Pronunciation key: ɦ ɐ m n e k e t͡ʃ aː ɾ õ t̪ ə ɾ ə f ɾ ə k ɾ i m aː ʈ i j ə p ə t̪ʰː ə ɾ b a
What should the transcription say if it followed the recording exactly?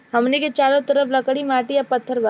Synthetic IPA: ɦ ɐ m n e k e t͡ʃ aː ɾ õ t̪ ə ɾ ə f l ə k ɽ i m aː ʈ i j a p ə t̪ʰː ə ɾ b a